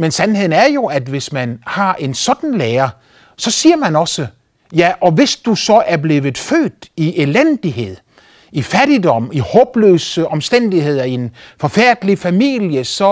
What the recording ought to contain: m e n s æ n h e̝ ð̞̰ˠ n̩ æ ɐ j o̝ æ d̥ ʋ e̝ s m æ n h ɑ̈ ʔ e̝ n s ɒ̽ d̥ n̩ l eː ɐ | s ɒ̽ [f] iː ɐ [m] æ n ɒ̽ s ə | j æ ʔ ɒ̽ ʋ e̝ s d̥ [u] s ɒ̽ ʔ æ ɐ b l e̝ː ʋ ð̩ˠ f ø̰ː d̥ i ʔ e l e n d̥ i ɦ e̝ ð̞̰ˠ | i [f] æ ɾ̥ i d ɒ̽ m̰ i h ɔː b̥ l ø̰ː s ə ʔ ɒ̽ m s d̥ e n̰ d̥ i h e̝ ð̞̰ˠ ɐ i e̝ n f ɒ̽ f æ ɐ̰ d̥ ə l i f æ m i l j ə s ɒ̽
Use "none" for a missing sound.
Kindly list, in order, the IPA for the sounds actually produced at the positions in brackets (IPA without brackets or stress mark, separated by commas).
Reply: s, m, u, f